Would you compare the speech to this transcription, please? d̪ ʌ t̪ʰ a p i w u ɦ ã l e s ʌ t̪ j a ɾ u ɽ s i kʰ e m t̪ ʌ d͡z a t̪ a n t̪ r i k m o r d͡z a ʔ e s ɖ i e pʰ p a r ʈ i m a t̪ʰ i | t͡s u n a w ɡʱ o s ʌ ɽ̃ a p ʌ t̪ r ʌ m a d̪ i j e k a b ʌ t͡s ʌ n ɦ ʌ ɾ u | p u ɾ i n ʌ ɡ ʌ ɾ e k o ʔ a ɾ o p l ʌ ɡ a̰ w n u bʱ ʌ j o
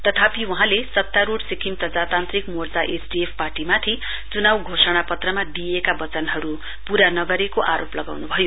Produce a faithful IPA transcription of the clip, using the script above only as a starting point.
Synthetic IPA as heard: t̪ ʌ t̪ʰ a p i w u ɦ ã l e s ʌ t̪ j a ɾ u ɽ s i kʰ i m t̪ ʌ d͡z a t̪ a n t̪ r i k m o r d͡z a ʔ e s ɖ i e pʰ p a r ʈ i m a t̪ʰ i | t͡s u n a w ɡʱ o s ʌ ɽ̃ a p ʌ t̪ r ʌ m a d̪ i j e k a b ʌ t͡s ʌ n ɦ ʌ ɾ u | p u ɾ a n ʌ ɡ ʌ ɾ e k o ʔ a ɾ o p l ʌ ɡ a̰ w n u bʱ ʌ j o

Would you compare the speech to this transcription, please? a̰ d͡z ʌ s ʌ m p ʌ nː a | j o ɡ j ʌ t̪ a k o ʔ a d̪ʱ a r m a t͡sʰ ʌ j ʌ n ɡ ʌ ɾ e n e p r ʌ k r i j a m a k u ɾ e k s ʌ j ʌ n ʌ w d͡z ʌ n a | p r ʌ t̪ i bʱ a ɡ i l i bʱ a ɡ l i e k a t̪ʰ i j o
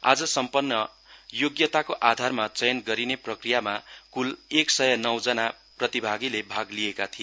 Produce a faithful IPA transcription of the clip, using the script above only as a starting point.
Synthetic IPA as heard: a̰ d͡z ʌ s ʌ m p ʌ nː ʌ | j o ɡ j ʌ t̪ a k o ʔ a d̪ʱ a r m a t͡s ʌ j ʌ n ɡ ʌ ɾ i n e p r ʌ k r i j a m a k u l e k s ʌ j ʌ n ʌ w d͡z ʌ n a | p r ʌ t̪ i bʱ a ɡ i l e bʱ a ɡ l i e k a t̪ʰ i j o

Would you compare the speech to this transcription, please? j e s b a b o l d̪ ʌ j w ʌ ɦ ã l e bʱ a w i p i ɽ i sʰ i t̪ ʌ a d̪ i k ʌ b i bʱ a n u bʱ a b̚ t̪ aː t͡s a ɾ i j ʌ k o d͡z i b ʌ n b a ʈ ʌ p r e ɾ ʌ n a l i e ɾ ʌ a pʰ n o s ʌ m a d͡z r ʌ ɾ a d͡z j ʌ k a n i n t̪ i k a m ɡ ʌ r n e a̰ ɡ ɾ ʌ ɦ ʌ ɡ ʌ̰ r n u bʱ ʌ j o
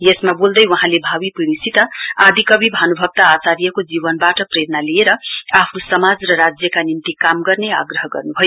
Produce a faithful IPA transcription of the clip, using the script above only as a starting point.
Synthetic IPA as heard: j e s m a b o l d̪ ʌ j w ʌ ɦ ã l e bʱ a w i p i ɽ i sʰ i t̪ ʌ a d̪ i k ʌ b i bʱ a n u bʱ ʌ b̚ t̪ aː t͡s a ɾ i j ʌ k o d͡z i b ʌ n b a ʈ ʌ p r e ɾ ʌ n a l i e ɾ ʌ a pʰ n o s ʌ m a d͡z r ʌ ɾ a d͡z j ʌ k a n i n t̪ i k a m ɡ ʌ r n e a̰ ɡ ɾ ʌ ɦ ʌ ɡ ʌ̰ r n u bʱ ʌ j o

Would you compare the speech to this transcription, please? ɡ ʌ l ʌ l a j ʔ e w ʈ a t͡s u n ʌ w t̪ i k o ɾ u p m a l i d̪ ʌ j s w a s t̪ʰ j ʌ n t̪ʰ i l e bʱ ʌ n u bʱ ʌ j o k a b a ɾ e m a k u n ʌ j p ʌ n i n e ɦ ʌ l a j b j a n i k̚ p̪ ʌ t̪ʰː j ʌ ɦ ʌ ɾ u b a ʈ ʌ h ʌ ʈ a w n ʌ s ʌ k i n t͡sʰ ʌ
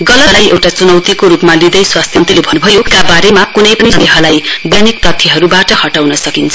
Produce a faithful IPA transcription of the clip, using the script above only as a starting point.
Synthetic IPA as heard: ɡ ʌ l ʌ l a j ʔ e w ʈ a t͡s u n ʌ w t̪ i k o ɾ u p m a l i d̪ ʌ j s w a s t̪ʰ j ʌ n t̪ i l e bʱ ʌ n u bʱ ʌ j o k a b a ɾ e m a k u n ʌ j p ʌ n i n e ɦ ʌ l a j b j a n i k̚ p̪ ʌ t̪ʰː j ʌ ɦ ʌ ɾ u b a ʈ ʌ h ʌ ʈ a w n ʌ s ʌ k i n t͡sʰ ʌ

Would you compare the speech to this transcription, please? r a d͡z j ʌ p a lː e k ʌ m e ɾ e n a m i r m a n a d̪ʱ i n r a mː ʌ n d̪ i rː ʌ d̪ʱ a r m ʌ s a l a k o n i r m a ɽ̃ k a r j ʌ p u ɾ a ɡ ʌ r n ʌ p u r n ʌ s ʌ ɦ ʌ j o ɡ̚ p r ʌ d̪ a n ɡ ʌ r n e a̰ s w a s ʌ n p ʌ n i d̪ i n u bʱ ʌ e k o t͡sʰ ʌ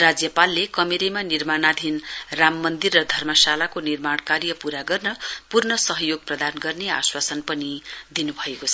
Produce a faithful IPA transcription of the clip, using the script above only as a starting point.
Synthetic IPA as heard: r a d͡z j ʌ p a lː e k ʌ m e ɾ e m a n i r m a n a d̪ʱ i n r a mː ʌ n d̪ i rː ʌ d̪ʱ ʌ r m ʌ s a l a k o n i r m a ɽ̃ k a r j ʌ p u ɾ a ɡ ʌ r n ʌ p u r n ʌ s ʌ ɦ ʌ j o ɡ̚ p r ʌ d̪ a n ɡ ʌ r n e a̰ s w a s ʌ n p ʌ n i d̪ i n u bʱ ʌ e k o t͡sʰ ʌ

